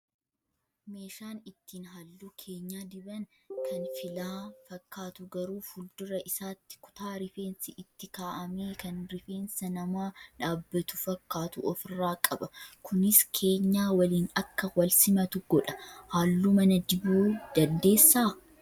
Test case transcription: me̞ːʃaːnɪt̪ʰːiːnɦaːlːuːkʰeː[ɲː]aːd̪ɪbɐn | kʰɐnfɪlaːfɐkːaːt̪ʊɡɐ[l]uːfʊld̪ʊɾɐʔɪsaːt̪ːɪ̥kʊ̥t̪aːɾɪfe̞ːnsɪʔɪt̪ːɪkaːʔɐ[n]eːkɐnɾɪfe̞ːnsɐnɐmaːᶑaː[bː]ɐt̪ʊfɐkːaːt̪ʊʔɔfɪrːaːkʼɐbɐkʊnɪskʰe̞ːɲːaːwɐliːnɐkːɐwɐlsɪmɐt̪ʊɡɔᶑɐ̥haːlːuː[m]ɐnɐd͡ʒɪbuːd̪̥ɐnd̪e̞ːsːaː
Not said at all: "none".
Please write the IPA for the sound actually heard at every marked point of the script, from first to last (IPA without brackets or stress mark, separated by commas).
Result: ɲː, ɾ, m, bː, m